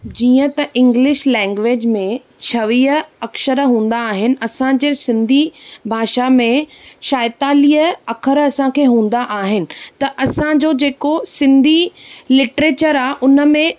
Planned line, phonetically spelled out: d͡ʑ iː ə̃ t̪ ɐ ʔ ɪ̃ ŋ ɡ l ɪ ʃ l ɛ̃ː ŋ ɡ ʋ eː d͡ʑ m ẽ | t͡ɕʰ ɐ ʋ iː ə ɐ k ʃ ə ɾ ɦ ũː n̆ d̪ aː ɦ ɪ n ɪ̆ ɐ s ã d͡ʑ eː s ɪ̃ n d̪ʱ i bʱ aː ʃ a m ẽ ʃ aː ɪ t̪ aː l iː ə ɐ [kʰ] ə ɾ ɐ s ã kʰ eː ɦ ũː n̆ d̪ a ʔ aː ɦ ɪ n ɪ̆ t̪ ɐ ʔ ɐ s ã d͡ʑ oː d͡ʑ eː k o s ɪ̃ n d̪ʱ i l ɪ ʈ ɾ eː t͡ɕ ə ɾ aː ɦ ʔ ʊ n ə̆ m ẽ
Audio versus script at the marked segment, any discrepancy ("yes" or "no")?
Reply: no